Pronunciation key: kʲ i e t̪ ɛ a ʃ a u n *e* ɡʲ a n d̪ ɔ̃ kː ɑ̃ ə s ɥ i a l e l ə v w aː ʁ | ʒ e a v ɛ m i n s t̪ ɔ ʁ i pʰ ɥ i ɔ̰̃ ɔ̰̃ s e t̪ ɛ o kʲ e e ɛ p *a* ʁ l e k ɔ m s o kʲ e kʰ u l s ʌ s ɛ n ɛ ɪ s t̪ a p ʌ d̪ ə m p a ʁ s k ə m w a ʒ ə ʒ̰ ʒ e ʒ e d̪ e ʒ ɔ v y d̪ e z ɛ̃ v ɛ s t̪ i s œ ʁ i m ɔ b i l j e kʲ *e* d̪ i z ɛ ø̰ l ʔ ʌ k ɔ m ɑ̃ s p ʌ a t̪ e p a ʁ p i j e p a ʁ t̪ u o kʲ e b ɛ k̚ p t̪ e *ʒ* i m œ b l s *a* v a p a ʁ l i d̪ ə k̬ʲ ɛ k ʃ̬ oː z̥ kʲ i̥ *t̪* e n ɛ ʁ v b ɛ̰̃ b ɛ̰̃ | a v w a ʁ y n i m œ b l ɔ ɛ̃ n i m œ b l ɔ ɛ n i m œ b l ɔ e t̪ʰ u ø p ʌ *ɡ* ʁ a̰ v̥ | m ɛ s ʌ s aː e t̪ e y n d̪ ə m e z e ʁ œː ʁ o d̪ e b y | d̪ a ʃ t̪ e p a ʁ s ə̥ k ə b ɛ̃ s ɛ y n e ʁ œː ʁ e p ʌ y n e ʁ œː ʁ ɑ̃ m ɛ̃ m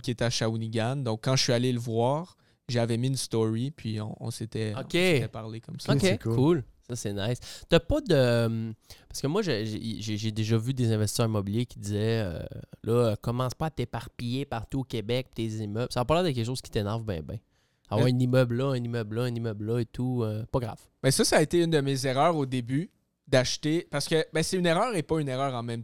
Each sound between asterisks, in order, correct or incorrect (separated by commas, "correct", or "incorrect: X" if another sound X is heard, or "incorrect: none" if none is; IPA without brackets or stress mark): incorrect: i, correct, incorrect: i, incorrect: z, correct, correct, correct